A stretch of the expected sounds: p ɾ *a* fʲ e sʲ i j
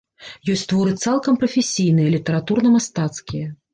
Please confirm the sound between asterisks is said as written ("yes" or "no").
no